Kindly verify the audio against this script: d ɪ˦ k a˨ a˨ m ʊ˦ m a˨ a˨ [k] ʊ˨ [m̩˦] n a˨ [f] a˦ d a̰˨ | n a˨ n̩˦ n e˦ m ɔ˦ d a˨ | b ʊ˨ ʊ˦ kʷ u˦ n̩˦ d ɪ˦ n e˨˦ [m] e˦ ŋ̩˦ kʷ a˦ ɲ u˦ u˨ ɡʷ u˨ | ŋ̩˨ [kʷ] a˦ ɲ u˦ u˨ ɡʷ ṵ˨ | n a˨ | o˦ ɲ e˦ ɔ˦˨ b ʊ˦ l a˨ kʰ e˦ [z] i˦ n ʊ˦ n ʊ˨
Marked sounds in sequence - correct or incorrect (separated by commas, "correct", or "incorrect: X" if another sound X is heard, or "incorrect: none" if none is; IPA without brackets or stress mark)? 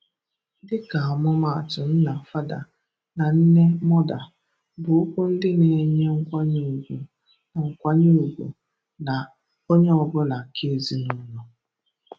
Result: incorrect: t, incorrect: n̩˦, correct, incorrect: ɲ, correct, correct